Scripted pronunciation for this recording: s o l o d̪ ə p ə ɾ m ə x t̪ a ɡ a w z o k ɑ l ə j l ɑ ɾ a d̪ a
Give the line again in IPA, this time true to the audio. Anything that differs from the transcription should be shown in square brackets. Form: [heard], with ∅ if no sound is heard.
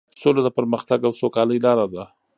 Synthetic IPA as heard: s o l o d̪ ə p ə ɾ m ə x t̪ a ɡ a w [s] o k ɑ l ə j l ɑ ɾ a d̪ a